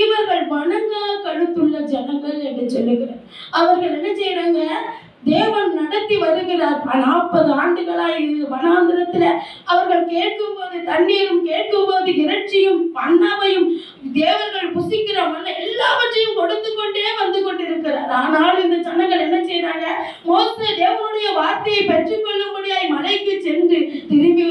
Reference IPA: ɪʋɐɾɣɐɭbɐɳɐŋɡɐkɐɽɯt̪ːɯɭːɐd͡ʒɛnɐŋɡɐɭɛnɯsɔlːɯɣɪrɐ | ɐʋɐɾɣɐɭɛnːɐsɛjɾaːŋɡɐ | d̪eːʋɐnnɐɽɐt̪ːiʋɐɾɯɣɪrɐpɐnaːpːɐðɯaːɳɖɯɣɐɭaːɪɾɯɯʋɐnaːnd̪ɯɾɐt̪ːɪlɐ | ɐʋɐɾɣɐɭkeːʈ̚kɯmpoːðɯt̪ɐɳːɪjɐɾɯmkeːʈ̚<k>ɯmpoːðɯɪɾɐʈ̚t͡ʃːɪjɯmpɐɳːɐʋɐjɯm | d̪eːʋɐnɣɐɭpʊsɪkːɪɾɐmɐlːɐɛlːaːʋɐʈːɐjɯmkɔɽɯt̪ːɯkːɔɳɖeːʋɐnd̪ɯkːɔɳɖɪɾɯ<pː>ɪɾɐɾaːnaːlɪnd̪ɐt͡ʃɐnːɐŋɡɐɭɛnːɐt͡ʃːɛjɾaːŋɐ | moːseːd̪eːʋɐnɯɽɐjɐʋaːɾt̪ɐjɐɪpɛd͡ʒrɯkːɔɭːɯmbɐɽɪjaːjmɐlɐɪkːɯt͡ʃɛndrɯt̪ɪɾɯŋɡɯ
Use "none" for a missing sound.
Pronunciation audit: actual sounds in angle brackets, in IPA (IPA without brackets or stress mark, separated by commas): k, kː